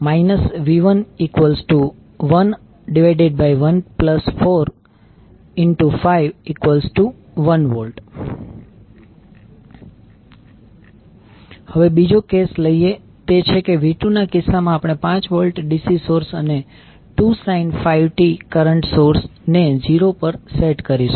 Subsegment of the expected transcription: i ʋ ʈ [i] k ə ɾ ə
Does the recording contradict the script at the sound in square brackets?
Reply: no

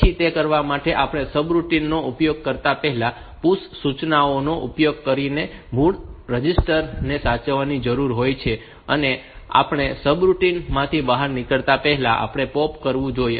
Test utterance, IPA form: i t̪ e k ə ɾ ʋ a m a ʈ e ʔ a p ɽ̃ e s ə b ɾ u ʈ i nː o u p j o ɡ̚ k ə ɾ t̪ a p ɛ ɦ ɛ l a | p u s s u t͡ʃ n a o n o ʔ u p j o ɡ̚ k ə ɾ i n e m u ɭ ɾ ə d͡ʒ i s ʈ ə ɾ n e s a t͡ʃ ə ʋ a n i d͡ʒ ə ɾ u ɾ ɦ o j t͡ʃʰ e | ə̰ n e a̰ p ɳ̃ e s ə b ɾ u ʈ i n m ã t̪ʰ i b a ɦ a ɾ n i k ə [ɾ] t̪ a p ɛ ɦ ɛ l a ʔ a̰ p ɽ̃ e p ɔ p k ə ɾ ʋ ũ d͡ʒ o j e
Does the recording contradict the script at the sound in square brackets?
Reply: yes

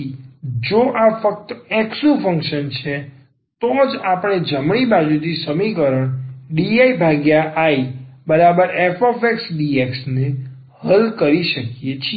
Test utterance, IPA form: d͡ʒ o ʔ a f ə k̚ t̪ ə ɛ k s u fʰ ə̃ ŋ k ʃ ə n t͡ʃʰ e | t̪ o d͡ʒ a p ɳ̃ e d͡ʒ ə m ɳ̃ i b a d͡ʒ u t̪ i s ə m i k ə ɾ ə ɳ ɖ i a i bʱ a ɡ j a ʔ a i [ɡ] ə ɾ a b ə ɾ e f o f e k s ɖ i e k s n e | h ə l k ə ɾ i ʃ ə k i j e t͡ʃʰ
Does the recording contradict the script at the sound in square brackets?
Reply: yes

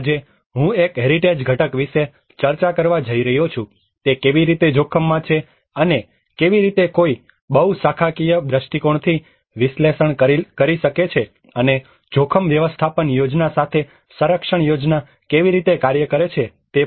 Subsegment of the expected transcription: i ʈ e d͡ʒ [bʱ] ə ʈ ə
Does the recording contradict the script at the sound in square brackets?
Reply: yes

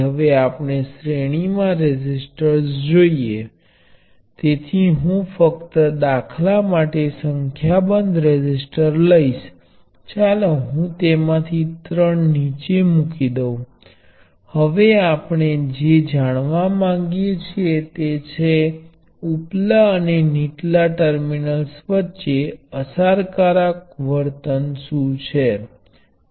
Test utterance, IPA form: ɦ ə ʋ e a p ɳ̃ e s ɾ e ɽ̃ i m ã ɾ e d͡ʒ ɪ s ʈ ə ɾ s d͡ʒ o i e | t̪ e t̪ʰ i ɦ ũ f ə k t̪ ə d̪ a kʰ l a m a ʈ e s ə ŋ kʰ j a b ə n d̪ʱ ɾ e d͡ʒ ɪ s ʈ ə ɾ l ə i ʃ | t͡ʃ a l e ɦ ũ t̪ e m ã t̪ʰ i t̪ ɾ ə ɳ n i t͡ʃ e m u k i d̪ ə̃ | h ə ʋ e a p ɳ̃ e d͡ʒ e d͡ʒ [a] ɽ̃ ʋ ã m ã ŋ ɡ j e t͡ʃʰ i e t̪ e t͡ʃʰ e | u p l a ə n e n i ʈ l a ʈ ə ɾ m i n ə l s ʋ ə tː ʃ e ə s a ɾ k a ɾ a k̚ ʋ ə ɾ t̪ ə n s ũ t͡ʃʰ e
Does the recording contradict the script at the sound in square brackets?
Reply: no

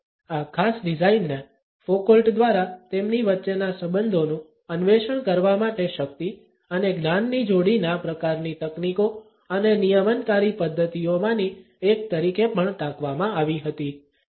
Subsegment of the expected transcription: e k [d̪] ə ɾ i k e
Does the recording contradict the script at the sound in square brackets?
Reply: yes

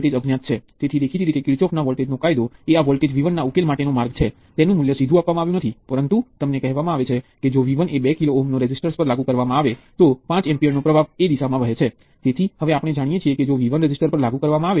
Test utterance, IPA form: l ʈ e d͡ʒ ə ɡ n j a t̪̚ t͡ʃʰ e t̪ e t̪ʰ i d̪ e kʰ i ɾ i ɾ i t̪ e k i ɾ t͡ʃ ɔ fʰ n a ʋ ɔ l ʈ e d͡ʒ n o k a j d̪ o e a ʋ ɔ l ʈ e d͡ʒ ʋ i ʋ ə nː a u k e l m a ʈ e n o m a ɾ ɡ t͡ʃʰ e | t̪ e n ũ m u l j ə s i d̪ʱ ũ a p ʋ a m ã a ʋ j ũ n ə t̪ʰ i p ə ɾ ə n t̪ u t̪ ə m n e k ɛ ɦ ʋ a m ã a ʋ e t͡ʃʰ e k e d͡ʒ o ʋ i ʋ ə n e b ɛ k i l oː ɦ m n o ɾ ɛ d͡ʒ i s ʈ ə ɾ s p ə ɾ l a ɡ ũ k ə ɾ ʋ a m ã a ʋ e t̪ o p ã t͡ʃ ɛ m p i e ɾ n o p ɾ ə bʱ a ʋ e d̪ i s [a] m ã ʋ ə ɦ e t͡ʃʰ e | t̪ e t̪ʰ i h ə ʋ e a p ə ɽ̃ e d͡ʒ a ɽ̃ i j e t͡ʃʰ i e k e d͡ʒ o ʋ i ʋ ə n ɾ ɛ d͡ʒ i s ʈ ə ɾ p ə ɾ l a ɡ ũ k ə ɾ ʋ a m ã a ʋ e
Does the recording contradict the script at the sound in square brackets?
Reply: no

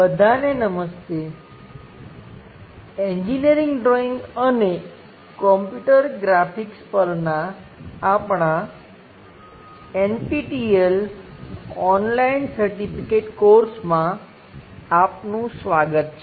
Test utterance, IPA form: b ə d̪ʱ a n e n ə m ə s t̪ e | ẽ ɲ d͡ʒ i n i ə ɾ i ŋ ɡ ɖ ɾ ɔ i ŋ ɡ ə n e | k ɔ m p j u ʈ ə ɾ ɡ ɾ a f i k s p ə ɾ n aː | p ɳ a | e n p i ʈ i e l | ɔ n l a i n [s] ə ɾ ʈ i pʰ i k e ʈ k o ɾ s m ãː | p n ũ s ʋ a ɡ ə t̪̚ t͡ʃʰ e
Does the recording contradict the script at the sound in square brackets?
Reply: no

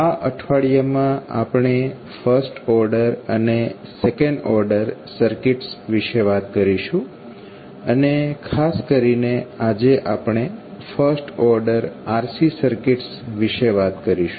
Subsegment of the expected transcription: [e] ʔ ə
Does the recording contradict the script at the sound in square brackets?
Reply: yes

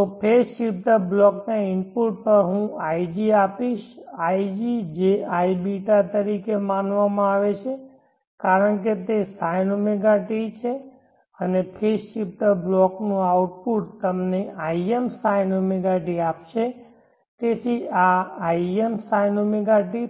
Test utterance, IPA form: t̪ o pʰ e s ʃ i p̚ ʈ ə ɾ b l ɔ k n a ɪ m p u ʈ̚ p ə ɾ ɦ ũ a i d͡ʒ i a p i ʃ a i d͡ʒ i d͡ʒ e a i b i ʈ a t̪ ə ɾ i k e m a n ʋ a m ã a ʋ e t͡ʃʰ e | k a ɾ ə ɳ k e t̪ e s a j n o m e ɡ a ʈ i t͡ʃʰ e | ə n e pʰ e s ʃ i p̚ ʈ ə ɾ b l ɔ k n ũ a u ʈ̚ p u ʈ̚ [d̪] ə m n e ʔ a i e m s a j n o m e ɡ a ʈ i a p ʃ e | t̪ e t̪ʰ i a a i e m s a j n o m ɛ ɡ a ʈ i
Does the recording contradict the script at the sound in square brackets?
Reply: yes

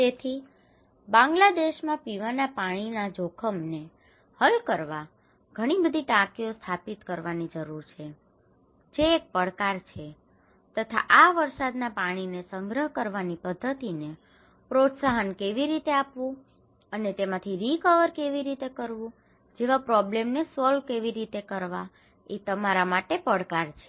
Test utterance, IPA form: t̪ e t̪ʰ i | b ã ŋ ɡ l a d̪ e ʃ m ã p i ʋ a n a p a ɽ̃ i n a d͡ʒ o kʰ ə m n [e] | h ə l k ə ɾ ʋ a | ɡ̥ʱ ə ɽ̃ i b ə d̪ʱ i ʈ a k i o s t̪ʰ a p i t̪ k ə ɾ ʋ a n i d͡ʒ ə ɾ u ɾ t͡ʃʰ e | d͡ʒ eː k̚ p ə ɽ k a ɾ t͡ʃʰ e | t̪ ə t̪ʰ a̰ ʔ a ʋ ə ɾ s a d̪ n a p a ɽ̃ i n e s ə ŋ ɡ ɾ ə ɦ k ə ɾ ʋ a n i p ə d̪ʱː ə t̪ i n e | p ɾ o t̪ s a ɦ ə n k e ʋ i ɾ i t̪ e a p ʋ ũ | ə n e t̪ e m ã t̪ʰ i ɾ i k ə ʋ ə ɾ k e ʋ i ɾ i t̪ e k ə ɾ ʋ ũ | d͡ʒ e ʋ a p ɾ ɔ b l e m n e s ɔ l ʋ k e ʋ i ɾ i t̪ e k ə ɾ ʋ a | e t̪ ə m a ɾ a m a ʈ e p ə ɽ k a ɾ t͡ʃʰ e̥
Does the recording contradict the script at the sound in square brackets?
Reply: no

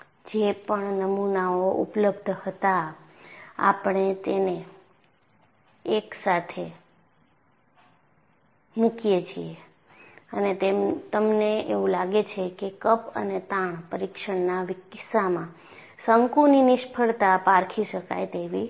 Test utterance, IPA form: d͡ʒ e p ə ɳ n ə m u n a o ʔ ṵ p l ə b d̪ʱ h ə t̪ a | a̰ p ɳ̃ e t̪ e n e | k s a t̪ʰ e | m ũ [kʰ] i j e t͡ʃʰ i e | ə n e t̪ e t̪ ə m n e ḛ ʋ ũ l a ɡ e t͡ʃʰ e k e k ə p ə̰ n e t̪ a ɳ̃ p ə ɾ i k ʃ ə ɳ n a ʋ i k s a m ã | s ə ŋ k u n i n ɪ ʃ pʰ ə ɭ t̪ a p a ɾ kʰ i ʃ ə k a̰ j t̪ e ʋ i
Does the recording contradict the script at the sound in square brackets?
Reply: yes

